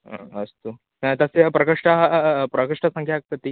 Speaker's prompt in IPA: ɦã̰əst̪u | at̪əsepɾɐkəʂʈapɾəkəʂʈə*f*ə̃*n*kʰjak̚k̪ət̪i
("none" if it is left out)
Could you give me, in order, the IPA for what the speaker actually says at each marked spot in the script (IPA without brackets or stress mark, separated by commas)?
s, ŋ